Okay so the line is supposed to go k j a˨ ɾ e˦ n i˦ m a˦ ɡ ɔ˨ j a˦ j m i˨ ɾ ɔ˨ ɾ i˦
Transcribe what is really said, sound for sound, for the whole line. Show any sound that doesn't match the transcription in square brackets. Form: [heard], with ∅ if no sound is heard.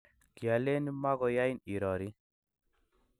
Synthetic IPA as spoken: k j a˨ [l] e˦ n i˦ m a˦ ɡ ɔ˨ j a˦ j [n] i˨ ɾ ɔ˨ ɾ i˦